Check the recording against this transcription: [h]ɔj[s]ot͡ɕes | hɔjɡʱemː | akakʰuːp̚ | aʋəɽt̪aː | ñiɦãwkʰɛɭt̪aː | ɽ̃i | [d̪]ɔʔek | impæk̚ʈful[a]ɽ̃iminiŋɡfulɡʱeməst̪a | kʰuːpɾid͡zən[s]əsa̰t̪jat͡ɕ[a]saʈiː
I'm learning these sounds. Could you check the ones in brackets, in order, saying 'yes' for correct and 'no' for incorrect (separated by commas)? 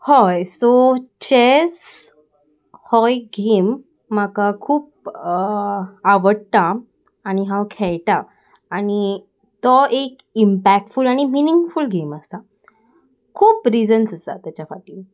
yes, yes, no, yes, yes, yes